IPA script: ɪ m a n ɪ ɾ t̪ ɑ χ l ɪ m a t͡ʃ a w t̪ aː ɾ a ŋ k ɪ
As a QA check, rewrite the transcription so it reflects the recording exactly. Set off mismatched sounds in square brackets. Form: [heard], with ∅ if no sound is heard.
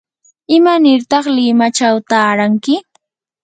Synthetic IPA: ɪ m a n ɪ ɾ t̪ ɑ χ l ɪ m a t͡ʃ a w t̪ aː ɾ a ŋ k ɪ